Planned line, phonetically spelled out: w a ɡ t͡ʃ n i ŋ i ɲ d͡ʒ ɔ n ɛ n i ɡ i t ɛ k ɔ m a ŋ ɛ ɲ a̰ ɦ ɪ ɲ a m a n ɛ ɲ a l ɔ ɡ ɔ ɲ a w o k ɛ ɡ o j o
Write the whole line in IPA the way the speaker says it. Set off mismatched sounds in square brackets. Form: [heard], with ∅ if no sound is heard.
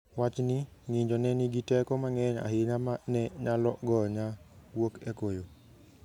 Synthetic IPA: w a [∅] t͡ʃ n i ŋ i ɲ d͡ʒ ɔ n ɛ n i ɡ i t ɛ k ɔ m a ŋ ɛ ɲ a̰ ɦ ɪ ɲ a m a n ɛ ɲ a l ɔ ɡ ɔ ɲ a w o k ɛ [k] o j o